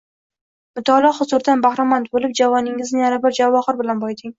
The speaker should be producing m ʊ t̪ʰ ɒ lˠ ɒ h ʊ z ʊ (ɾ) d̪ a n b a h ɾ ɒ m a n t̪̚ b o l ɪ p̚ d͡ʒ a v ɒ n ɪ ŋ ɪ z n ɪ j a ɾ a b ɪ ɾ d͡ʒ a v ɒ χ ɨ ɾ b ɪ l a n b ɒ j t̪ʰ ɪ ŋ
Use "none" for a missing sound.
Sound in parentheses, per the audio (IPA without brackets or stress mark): ɾ